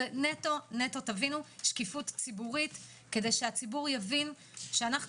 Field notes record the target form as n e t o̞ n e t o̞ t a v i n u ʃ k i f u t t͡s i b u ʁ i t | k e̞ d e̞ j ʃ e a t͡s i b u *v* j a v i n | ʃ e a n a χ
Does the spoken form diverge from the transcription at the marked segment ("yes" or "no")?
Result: yes